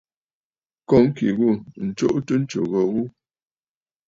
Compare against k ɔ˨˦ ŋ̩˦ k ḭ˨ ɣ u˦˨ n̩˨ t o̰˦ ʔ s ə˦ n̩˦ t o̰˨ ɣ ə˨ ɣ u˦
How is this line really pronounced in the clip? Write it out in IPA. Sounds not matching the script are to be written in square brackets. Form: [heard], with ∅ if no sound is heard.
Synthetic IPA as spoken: k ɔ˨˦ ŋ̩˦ k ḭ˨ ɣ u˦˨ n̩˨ [t͡ʃ] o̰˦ ʔ [t] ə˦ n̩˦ [t͡ʃ] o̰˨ ɣ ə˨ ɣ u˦